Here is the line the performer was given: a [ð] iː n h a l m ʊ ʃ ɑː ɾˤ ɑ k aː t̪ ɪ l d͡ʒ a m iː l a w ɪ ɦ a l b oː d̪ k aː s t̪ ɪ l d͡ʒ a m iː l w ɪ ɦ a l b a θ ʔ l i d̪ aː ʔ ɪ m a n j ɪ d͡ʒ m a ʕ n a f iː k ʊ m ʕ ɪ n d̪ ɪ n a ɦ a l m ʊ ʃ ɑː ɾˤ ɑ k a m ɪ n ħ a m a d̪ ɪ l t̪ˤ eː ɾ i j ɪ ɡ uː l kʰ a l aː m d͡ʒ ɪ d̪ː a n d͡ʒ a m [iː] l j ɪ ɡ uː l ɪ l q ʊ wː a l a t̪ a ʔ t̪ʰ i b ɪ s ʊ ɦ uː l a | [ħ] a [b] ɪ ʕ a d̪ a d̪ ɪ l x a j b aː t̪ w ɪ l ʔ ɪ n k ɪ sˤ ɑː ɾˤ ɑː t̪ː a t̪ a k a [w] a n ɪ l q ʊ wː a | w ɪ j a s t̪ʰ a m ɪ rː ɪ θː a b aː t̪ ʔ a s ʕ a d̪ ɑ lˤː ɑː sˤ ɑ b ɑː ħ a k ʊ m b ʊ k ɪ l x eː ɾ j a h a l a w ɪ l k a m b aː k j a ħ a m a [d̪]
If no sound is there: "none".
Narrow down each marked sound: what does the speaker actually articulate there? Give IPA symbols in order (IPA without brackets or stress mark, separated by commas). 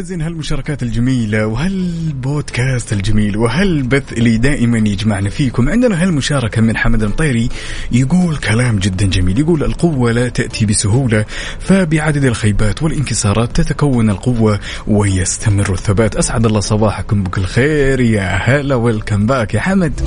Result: z, iː, f, b, wː, d̪